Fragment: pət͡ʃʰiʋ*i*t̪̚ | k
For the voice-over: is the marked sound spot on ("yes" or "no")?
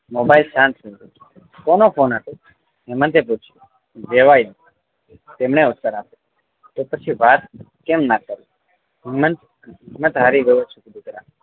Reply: no